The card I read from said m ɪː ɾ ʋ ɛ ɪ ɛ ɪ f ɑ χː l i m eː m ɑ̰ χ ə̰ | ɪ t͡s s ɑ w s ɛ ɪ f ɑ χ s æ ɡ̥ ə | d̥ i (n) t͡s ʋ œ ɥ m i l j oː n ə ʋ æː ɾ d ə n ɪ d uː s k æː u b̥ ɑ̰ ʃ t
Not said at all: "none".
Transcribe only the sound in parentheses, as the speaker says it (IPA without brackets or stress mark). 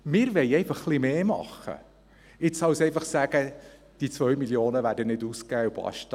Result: none